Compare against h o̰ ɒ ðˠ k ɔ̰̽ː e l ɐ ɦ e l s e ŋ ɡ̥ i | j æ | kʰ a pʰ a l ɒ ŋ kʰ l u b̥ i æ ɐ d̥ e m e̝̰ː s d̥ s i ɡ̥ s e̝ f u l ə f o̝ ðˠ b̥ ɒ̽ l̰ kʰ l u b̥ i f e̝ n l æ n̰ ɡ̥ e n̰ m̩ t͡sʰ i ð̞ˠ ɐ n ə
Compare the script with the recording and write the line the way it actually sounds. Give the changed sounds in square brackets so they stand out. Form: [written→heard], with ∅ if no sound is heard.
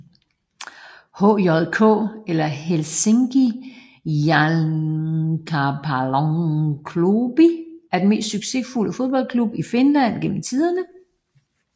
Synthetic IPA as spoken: h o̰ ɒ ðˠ [k→kʰ] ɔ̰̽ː e l ɐ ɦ e l s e ŋ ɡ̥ i | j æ | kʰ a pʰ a l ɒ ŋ kʰ l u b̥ i æ ɐ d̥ e m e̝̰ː s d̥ s [i→y] ɡ̥ s e̝ f u l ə f o̝ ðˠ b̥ ɒ̽ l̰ kʰ l u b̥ i f e̝ n l æ n̰ ɡ̥ e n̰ m̩ t͡sʰ i ð̞ˠ ɐ n ə